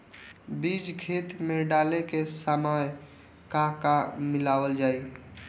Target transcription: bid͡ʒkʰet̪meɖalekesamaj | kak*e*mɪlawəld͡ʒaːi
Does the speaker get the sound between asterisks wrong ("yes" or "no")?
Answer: yes